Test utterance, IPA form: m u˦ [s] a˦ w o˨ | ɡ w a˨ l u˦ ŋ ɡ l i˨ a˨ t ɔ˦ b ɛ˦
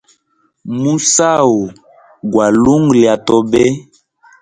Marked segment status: correct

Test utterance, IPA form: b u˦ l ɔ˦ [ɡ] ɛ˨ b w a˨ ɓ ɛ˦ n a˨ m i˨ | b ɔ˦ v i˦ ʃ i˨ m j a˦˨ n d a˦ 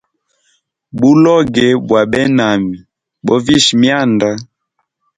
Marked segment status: correct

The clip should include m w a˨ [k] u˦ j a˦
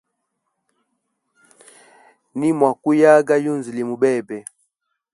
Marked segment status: correct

